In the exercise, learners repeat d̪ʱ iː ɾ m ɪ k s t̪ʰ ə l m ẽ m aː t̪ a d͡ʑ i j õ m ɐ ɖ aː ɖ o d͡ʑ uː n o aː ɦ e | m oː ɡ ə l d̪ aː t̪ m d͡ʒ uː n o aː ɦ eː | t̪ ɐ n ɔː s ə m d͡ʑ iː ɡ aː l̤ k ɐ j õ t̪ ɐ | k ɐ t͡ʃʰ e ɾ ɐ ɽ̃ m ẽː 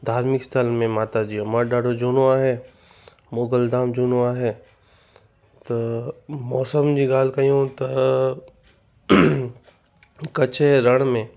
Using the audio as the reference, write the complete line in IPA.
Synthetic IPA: d̪ʱ aː ɾ m ɪ k s t̪ʰ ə l m ẽ m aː t̪ a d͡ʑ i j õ m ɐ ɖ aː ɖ o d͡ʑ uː n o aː ɦ e | m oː ɡ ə l d̪ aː m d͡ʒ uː n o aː ɦ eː | t̪ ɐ m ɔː s ə m d͡ʑ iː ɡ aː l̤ k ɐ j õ t̪ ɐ | k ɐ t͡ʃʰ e ɾ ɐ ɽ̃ m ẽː